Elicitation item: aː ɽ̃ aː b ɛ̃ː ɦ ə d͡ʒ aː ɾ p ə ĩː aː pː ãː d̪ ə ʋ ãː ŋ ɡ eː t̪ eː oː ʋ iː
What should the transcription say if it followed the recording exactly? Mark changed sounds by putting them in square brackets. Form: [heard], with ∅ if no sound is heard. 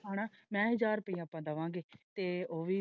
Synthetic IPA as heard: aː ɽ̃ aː [m] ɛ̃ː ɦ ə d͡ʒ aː ɾ p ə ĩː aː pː ãː d̪ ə ʋ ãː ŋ ɡ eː t̪ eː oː ʋ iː